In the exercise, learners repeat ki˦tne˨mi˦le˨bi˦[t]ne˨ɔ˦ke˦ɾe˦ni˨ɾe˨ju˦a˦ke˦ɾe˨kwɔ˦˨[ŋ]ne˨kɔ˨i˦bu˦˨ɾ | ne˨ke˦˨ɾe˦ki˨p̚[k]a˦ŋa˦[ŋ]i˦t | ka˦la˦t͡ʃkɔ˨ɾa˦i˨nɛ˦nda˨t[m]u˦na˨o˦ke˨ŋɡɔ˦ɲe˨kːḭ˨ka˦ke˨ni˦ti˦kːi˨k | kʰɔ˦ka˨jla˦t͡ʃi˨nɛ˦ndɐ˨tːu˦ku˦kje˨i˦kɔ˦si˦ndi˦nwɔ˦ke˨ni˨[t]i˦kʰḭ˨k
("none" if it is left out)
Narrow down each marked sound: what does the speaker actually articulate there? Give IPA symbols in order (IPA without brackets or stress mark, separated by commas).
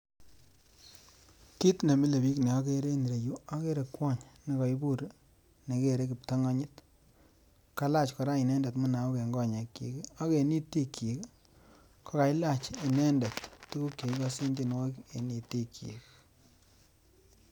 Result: k, ɲ, t, ɲ, m, t